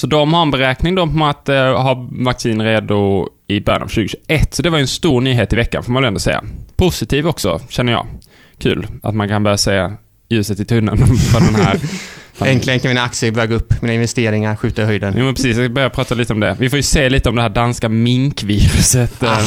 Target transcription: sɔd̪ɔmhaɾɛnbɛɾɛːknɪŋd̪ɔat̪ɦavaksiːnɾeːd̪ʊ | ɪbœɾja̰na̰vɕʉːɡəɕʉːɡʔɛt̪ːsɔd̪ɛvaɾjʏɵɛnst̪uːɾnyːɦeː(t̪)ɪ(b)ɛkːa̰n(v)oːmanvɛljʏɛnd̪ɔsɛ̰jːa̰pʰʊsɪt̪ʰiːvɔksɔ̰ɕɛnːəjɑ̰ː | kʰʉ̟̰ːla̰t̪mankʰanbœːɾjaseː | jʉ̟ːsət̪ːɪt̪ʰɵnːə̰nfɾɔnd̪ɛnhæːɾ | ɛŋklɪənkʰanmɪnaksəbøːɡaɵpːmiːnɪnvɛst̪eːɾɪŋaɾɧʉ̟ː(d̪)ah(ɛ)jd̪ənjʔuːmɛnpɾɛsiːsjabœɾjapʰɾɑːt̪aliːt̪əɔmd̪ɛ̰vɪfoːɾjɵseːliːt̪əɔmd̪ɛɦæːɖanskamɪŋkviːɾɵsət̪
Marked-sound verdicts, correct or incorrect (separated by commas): correct, incorrect, incorrect, incorrect, incorrect